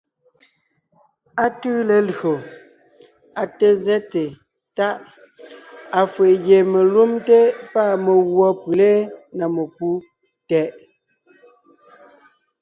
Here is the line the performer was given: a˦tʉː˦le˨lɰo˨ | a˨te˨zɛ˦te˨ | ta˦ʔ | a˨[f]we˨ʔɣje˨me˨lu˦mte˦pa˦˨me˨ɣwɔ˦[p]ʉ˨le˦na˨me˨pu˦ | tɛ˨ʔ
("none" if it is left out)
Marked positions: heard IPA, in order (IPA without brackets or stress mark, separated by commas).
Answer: f, p